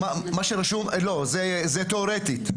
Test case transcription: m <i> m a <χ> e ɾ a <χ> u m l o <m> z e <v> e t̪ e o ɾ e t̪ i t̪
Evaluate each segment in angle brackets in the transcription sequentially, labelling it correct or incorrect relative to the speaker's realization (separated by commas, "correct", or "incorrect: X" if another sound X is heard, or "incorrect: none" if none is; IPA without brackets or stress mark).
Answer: incorrect: a, incorrect: ʃ, incorrect: ʃ, incorrect: none, incorrect: z